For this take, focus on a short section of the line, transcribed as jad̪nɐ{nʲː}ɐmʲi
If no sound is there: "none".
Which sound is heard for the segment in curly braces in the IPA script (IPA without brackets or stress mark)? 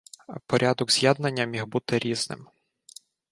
nʲː